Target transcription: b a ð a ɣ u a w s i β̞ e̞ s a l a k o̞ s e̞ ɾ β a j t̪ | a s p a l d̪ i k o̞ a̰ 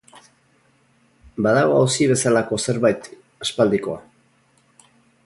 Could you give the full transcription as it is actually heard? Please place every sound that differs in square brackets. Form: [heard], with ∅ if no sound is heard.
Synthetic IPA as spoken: b a ð a ɣ [o] a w s i β̞ e̞ s a l a k o̞ s e̞ ɾ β a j t̪ | a s p a l d̪ i k o̞ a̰